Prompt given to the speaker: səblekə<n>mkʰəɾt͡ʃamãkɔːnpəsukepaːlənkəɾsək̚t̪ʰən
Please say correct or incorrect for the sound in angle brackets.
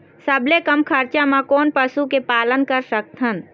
incorrect